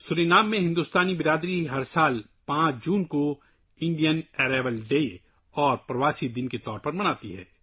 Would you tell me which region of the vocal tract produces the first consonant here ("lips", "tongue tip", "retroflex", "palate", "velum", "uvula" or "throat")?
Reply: tongue tip